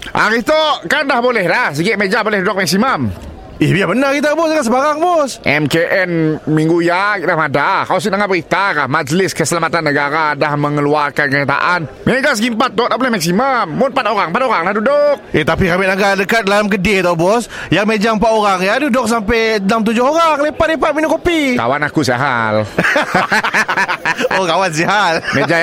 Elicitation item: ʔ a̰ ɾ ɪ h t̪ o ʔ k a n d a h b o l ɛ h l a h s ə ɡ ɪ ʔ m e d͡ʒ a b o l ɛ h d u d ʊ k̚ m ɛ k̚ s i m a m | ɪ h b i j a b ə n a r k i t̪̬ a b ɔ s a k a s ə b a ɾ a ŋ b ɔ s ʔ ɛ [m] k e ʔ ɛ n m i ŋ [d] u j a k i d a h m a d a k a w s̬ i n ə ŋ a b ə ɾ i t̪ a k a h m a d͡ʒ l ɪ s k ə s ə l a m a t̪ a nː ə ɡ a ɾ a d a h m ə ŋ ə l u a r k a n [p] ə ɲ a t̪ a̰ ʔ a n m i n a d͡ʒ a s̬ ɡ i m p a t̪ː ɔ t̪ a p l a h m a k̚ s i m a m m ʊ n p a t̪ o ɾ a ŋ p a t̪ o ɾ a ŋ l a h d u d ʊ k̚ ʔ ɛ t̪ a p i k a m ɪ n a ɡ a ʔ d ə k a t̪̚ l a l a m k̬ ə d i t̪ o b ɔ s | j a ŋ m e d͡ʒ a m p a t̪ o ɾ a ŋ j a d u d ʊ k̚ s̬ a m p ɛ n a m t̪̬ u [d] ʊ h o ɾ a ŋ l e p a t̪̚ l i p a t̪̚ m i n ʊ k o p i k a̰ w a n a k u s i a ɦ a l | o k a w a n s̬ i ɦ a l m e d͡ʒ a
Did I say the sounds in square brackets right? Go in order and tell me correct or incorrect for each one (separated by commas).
correct, incorrect, incorrect, incorrect